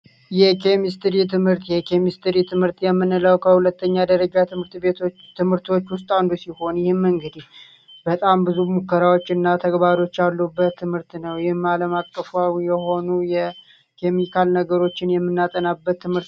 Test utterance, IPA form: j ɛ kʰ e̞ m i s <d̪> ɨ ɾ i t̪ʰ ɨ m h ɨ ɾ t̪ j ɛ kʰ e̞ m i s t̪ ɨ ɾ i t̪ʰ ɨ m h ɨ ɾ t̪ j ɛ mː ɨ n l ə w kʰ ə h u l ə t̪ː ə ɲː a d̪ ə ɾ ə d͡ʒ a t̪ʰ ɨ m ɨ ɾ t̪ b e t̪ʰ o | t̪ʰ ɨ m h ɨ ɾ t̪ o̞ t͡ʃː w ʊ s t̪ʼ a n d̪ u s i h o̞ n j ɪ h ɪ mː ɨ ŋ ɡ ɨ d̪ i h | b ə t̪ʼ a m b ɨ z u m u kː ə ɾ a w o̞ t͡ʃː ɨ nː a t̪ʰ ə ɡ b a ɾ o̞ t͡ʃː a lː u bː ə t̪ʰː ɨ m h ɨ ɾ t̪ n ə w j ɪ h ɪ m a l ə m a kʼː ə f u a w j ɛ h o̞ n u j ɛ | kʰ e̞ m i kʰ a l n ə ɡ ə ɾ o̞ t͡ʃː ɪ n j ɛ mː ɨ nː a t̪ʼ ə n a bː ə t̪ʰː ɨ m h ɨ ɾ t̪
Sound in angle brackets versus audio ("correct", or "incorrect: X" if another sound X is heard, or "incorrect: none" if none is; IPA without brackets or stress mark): incorrect: t̪